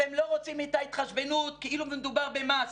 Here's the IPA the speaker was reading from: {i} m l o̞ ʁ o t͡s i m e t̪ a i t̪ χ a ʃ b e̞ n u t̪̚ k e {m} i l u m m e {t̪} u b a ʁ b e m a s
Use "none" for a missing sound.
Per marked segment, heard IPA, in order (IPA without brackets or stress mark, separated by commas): e, none, d̪